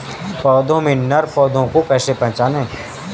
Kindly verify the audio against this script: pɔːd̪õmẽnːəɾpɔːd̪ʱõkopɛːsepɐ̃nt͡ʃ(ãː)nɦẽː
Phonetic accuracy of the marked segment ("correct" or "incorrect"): incorrect